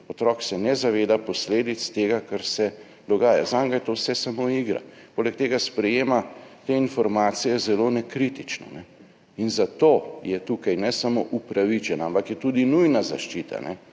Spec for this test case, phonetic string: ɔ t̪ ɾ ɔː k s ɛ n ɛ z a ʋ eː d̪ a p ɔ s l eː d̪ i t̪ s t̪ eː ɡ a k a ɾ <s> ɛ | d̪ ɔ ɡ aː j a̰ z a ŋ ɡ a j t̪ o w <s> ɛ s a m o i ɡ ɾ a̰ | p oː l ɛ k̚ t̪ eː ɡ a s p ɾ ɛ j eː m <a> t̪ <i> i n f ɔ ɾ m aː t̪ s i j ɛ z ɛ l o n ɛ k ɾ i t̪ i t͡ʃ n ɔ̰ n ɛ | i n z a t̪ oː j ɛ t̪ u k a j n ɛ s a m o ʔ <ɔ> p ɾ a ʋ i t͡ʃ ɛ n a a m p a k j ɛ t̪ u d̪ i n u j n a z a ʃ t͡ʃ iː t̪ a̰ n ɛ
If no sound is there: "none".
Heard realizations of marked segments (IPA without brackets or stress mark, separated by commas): s, s, a, e, u